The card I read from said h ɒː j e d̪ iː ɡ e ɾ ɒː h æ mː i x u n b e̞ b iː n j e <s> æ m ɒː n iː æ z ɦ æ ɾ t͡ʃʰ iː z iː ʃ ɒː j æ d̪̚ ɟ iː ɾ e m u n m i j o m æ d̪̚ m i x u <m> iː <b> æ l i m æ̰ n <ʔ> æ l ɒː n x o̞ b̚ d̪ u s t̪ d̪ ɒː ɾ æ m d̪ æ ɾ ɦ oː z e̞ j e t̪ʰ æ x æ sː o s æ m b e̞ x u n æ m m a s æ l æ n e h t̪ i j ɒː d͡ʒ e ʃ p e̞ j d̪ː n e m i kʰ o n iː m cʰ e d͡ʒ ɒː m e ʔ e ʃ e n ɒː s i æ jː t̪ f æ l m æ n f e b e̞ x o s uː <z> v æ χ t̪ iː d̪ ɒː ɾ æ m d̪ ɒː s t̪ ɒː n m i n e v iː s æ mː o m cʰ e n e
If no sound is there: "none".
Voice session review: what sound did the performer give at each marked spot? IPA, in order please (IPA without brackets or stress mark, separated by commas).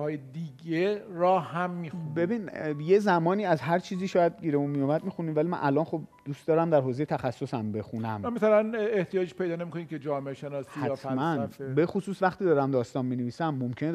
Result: z, n, v, ʔ, s